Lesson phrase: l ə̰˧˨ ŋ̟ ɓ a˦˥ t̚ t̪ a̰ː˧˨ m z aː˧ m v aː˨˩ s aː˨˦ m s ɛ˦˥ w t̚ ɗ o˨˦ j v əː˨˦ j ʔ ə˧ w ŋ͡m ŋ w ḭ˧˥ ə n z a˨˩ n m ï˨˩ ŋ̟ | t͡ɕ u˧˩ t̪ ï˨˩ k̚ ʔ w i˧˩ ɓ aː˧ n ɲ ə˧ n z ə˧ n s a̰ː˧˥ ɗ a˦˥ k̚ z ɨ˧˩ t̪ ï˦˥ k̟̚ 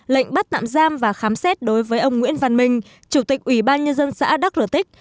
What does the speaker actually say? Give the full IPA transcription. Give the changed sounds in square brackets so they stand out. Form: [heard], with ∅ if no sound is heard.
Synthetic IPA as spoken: l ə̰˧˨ ŋ̟ ɓ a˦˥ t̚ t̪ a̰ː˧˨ m z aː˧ m v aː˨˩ [x] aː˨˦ m s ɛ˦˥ [∅] t̚ ɗ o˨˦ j v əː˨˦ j ʔ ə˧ w ŋ͡m ŋ w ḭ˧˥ ə n [v] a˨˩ n m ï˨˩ ŋ̟ | t͡ɕ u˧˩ t̪ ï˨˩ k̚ ʔ w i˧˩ ɓ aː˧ n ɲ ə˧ n z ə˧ n s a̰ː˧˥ ɗ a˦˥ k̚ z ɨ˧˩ t̪ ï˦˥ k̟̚

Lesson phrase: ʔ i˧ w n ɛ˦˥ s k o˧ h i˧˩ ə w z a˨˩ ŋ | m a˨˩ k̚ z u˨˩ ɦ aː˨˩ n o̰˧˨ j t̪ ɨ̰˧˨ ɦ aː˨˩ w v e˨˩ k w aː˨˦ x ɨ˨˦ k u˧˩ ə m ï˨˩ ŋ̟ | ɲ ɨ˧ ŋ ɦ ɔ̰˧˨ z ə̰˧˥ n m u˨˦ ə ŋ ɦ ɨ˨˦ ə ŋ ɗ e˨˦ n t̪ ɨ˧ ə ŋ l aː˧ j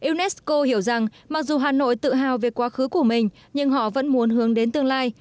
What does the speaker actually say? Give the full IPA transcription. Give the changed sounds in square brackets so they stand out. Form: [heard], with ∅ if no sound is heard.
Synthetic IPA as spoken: ʔ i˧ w n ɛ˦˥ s k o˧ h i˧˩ ə w z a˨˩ ŋ | m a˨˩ k̚ z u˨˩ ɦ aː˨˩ n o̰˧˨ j t̪ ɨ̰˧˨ ɦ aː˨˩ w v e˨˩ k w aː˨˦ x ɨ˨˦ k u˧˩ ə m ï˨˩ ŋ̟ | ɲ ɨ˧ ŋ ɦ ɔ̰˧˨ [v] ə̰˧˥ n m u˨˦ ə [n] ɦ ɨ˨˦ ə ŋ ɗ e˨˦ n t̪ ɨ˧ ə ŋ l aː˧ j

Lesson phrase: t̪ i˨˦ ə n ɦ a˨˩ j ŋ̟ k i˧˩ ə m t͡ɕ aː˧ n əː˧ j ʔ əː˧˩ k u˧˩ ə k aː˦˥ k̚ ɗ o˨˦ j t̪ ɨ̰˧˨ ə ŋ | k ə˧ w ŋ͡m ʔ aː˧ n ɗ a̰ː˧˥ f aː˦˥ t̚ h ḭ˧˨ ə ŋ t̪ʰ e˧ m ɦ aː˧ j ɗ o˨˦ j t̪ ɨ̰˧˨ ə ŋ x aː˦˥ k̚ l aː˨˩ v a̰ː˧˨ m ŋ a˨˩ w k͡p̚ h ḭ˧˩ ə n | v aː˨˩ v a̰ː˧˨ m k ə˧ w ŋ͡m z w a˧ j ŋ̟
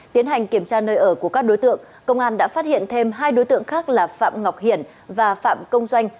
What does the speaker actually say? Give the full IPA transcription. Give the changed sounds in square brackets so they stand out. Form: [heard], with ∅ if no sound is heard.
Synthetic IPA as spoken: t̪ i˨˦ ə n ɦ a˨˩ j ŋ̟ k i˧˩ ə m t͡ɕ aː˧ n əː˧ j ʔ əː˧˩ k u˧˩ ə k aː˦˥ k̚ ɗ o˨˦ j t̪ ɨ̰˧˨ ə ŋ | k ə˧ w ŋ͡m ʔ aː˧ n ɗ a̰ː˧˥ f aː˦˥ t̚ h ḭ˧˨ ə [n] t̪ʰ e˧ m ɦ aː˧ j ɗ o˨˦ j t̪ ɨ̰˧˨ ə ŋ x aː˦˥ k̚ l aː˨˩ [f] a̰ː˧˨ m ŋ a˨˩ w k͡p̚ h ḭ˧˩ ə n | v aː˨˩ [f] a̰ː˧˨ m k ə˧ w ŋ͡m z w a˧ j ŋ̟

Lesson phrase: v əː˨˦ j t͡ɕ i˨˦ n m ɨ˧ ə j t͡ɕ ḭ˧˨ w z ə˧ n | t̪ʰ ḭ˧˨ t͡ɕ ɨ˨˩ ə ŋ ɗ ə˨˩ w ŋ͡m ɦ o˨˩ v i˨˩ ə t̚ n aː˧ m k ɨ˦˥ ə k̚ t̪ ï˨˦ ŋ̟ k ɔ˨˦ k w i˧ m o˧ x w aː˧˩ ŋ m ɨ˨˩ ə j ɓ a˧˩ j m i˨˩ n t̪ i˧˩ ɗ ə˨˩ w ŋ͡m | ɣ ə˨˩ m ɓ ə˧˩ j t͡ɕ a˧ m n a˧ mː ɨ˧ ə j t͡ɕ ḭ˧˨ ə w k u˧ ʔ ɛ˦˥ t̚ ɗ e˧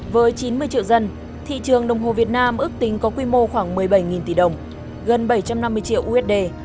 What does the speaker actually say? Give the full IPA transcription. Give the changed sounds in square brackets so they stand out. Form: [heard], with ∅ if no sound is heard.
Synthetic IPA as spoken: v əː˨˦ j t͡ɕ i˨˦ n m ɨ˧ ə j t͡ɕ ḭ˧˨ w z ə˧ n | t̪ʰ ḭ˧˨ t͡ɕ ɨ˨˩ ə ŋ ɗ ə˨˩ w ŋ͡m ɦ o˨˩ v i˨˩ ə t̚ n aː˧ m [ʔ] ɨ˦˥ ə k̚ t̪ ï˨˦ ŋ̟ k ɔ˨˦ k w i˧ m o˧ x w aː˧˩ ŋ m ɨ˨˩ ə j ɓ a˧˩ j [ŋ] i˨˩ n t̪ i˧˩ ɗ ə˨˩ w ŋ͡m | ɣ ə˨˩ [n] ɓ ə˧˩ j t͡ɕ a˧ m n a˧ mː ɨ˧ ə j t͡ɕ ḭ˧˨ ə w [ʔ] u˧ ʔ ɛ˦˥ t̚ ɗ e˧

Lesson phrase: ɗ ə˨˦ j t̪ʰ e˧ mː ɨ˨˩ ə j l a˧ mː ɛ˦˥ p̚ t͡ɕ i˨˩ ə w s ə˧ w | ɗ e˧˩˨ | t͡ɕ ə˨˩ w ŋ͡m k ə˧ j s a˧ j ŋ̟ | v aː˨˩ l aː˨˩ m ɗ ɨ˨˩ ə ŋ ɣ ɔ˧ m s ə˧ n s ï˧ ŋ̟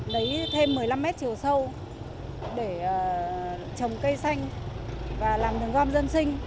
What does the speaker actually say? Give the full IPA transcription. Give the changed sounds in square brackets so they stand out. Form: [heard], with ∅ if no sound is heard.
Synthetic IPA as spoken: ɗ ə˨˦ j t̪ʰ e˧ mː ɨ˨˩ ə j l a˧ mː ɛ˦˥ [t̚] t͡ɕ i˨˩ ə w s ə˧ w | ɗ e˧˩˨ | t͡ɕ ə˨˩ w ŋ͡m k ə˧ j s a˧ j ŋ̟ | v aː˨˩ l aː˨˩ m ɗ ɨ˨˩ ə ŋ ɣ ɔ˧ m [z] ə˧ n s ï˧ ŋ̟

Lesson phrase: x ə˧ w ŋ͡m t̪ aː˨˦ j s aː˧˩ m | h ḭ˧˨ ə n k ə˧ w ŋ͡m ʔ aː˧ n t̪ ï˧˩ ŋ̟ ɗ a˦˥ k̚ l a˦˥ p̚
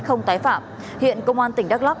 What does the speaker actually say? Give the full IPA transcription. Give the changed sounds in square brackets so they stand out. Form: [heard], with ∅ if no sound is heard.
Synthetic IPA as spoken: x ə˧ w ŋ͡m t̪ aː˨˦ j [f] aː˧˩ m | h ḭ˧˨ ə n k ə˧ w ŋ͡m ʔ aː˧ n t̪ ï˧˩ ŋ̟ ɗ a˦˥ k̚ l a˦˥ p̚

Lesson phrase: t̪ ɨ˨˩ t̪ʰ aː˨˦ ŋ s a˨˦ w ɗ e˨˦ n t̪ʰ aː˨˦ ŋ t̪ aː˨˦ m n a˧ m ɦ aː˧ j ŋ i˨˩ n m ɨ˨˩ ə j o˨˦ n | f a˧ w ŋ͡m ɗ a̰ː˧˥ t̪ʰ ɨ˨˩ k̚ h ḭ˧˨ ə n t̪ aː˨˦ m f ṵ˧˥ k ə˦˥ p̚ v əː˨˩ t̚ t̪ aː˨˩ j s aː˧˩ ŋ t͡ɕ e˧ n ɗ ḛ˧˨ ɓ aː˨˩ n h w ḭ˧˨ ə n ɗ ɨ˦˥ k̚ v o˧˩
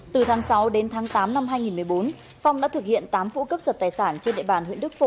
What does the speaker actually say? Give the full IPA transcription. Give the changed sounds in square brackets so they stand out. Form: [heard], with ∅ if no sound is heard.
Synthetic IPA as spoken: t̪ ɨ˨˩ t̪ʰ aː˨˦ ŋ s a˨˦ w ɗ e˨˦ n t̪ʰ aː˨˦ ŋ t̪ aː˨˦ m n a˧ m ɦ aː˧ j ŋ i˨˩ n m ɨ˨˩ ə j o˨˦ n | f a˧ w ŋ͡m ɗ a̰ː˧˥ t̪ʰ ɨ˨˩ k̚ h ḭ˧˨ ə n t̪ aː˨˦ m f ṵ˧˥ k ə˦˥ p̚ [z] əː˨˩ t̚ t̪ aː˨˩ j s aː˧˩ [n] t͡ɕ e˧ n ɗ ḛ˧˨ ɓ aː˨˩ n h w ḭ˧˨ ə n ɗ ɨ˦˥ k̚ [f] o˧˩

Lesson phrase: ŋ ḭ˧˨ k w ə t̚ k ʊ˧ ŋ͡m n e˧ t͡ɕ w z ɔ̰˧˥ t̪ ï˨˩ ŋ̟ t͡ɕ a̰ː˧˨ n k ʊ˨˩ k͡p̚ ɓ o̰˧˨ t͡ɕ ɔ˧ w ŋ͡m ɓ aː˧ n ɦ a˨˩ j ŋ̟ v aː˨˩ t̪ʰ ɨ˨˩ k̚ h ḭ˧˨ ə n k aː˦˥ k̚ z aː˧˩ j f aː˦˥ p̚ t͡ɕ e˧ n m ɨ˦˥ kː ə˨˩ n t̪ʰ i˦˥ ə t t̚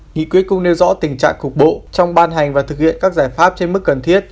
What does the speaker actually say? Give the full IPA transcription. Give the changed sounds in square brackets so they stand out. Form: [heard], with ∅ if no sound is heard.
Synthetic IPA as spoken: ŋ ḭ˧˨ k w ə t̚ k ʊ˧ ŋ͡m n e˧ [∅] w z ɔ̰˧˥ t̪ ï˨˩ ŋ̟ t͡ɕ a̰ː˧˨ [ŋ] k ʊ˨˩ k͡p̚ ɓ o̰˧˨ t͡ɕ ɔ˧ w ŋ͡m ɓ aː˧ n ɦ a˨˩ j ŋ̟ v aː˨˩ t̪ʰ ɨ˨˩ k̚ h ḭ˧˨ ə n k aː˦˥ k̚ z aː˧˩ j f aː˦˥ p̚ t͡ɕ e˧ n m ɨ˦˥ kː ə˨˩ n t̪ʰ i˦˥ ə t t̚

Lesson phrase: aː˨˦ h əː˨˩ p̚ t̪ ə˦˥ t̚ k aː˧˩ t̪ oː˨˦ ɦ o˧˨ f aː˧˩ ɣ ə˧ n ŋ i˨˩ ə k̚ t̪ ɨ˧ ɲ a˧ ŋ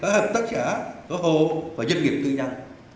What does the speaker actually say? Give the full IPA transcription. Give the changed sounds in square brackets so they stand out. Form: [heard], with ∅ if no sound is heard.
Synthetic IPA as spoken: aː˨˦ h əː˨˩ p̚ t̪ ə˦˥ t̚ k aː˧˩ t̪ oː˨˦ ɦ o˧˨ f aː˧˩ [z] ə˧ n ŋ i˨˩ ə [p̚] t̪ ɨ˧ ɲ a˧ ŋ

